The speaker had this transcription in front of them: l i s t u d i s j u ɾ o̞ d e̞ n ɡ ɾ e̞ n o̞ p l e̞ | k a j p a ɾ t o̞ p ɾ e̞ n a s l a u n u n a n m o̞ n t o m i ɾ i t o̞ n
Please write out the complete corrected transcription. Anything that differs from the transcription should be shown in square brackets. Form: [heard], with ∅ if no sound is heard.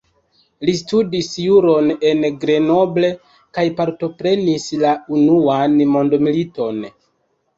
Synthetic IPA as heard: l i s t u d i s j u ɾ o̞ [n] e̞ n ɡ ɾ e̞ n o̞ [b] l e̞ | k a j p a ɾ t o̞ p ɾ e̞ n [i] s l a u n u [∅] a n m o̞ n [d] o m i [l] i t o̞ n

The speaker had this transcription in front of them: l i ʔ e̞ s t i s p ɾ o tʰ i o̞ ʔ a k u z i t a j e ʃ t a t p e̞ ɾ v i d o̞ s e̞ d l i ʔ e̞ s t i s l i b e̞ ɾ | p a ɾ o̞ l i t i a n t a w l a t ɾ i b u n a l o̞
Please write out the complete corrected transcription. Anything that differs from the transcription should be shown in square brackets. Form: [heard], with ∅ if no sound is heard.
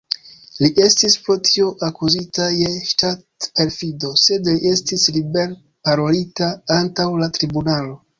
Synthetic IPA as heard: l i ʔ e̞ s t i s p ɾ o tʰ i o̞ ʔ a k u z i t a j e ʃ t a t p e̞ ɾ [f] i d o̞ s e̞ d l i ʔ e̞ s t i s l i b e̞ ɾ | p a ɾ o̞ l i t [a] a n t a w l a t ɾ i b u n a l o̞

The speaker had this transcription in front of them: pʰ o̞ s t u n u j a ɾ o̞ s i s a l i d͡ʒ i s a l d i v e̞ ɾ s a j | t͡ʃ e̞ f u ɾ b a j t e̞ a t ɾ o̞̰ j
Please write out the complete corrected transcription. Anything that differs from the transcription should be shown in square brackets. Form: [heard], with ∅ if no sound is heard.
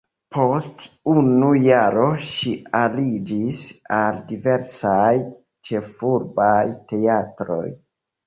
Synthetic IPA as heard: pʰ o̞ s t u n u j a ɾ o̞ [ʃ] i [∅] a l i d͡ʒ i s a l d i v e̞ ɾ s a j | t͡ʃ e̞ f u ɾ b a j t e̞ a t ɾ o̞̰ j

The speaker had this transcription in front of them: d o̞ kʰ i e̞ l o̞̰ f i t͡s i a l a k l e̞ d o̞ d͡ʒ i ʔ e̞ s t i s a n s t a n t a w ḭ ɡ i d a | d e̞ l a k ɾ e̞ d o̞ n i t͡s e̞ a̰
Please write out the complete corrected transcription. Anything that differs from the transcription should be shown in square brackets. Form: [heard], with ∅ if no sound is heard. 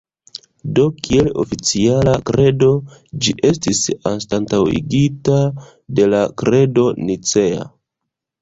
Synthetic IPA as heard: d o̞ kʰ i e̞ l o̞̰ f i t͡s i a l a k [ɾ] e̞ d o̞ d͡ʒ i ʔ e̞ s t i s a n s t a n t a w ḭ ɡ i [t] a | d e̞ l a k ɾ e̞ d o̞ n i t͡s e̞ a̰

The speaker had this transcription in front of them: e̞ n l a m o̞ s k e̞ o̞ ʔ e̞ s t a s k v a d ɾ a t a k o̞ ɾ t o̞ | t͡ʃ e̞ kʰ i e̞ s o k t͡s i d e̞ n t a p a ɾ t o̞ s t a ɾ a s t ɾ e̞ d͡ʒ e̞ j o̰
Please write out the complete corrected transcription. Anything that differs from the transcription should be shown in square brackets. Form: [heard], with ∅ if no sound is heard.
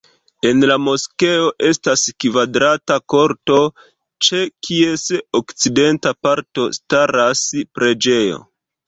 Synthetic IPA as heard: e̞ n l a m o̞ s k e̞ o̞ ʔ e̞ s t a s k v a d ɾ a t a k o̞ ɾ t o̞ | t͡ʃ e̞ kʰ i e̞ s o k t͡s i d e̞ n t a p a ɾ t o̞ s t a ɾ a s [p] ɾ e̞ d͡ʒ e̞ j o̰

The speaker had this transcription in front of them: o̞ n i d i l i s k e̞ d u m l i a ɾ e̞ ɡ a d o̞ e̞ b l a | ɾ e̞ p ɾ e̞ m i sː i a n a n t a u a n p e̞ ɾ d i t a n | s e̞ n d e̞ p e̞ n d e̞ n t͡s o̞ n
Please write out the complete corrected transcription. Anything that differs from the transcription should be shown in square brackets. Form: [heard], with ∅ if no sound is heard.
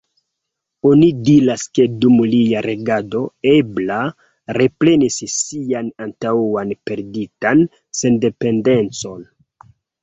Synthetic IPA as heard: o̞ n i d i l [a] s k e̞ d u m l i a ɾ e̞ ɡ a d o̞ e̞ b l a | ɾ e̞ p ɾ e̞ [n] i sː i a n a n t a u a n p e̞ ɾ d i t a n | s e̞ n d e̞ p e̞ n d e̞ n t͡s o̞ n

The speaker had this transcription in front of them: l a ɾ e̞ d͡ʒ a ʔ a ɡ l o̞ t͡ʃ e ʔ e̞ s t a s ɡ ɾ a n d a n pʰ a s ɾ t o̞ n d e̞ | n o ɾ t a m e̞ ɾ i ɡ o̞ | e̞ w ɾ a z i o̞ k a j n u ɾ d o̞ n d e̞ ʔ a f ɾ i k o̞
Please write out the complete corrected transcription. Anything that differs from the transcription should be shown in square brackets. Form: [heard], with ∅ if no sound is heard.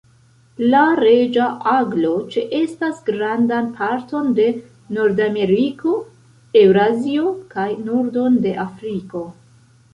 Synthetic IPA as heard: l a ɾ e̞ d͡ʒ a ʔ a ɡ l o̞ t͡ʃ e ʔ e̞ s t a s ɡ ɾ a n d a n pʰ a [∅] ɾ t o̞ n d e̞ | n o ɾ [d] a m e̞ ɾ i [k] o̞ | e̞ w ɾ a z i o̞ k a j n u ɾ d o̞ n d e̞ ʔ a f ɾ i k o̞

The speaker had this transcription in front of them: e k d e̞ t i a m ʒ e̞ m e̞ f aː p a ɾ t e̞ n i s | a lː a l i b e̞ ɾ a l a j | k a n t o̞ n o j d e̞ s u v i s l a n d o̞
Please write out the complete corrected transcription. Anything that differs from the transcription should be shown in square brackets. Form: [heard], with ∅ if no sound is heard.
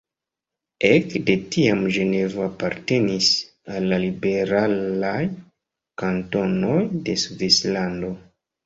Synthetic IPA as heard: e k d e̞ t i a m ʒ e̞ [n] e̞ [v] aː p a ɾ t e̞ n i s | a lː a l i b e̞ ɾ a l a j | k a n t o̞ n o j d e̞ s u v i s l a n d o̞

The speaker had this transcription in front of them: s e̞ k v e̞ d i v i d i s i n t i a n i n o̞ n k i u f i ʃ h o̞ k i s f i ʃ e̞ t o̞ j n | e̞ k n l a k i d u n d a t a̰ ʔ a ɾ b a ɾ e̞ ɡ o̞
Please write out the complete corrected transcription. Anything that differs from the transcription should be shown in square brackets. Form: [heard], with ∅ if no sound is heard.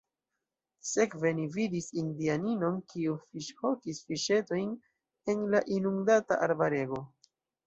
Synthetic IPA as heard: s e̞ k v e̞ [n] i v i d i s i n [d] i a n i n o̞ n k i u f i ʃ h o̞ k i s f i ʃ e̞ t o̞ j n | e̞ [∅] n l a [ʔ] i [n] u [ŋ] d a t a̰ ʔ a ɾ b a ɾ e̞ ɡ o̞

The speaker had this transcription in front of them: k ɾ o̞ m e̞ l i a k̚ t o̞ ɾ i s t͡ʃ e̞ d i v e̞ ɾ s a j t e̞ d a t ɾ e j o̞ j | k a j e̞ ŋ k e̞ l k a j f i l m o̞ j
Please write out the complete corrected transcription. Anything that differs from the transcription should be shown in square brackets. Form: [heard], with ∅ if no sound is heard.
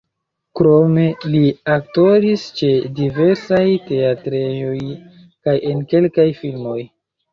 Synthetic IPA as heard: k ɾ o̞ m e̞ l i a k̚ t o̞ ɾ i s t͡ʃ e̞ d i v e̞ ɾ s a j t e̞ [∅] a t ɾ e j o̞ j | k a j e̞ [n] k e̞ l k a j f i l m o̞ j

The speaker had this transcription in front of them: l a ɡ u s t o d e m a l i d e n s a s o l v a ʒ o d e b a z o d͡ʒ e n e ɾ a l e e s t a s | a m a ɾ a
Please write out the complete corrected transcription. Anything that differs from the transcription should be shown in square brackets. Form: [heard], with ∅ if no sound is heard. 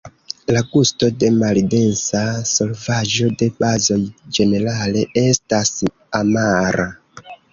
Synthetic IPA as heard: l a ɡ u s t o d e m a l i d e n s a s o l v a ʒ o d e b a z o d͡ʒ e n e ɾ a l e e s t a s | a m a ɾ a

